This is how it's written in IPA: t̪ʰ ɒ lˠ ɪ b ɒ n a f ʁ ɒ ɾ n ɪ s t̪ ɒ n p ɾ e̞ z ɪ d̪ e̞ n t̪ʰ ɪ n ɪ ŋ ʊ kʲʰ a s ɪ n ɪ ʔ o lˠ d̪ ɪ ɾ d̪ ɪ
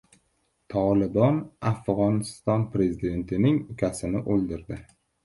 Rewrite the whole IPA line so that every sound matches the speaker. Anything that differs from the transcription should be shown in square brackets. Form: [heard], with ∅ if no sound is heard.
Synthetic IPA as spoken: t̪ʰ ɒ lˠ ɪ b ɒ n a f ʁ ɒ [∅] n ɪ s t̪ ɒ n p ɾ e̞ z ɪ d̪ e̞ n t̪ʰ ɪ n ɪ ŋ ʊ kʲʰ a s ɪ n ɪ ʔ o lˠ d̪ ɪ ɾ d̪ ɪ